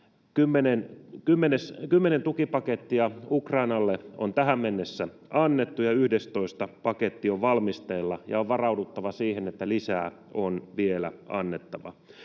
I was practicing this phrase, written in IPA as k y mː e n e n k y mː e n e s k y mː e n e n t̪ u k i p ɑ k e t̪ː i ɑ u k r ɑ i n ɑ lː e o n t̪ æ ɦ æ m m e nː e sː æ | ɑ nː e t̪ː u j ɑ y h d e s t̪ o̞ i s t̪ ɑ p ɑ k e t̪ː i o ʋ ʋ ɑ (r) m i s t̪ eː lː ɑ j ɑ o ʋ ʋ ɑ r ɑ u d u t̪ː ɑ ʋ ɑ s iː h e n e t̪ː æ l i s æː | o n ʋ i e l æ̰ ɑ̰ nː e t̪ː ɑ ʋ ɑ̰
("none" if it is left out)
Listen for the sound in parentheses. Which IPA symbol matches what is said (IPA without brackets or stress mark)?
l